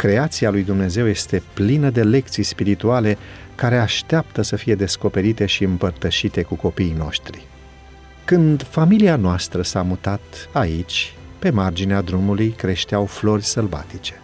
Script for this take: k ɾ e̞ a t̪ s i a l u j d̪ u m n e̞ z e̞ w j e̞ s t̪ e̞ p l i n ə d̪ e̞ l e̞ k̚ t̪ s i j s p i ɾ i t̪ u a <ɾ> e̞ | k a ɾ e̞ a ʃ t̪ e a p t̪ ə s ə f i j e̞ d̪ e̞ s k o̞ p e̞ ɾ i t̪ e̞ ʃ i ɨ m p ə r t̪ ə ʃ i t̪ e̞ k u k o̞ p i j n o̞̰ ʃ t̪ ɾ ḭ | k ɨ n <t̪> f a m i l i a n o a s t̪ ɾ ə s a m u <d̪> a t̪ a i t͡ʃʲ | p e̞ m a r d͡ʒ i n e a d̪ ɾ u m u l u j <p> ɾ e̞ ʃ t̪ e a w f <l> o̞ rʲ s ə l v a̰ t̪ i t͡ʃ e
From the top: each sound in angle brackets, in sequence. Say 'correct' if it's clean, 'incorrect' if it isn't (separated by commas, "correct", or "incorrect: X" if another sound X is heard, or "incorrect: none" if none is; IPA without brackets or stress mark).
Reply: incorrect: l, incorrect: d̪, incorrect: t̪, incorrect: k, correct